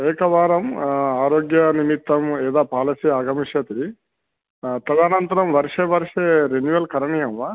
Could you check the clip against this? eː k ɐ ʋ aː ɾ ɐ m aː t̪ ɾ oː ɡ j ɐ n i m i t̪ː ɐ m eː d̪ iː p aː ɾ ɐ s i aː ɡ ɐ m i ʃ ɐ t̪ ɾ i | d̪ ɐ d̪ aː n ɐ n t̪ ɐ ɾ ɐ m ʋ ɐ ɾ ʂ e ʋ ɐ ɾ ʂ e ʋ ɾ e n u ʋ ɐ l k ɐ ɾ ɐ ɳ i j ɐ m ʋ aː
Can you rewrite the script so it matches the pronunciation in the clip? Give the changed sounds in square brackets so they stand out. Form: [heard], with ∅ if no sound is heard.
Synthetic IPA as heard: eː k ɐ ʋ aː ɾ ɐ m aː [∅] ɾ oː ɡ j ɐ n i m i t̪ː ɐ m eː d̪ [aː] p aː [l] ɐ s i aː ɡ ɐ m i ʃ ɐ t̪ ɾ i | [t̪] ɐ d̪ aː n ɐ n t̪ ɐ ɾ ɐ m ʋ ɐ ɾ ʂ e ʋ ɐ ɾ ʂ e [∅] ɾ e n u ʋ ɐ l k ɐ ɾ ɐ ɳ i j ɐ m ʋ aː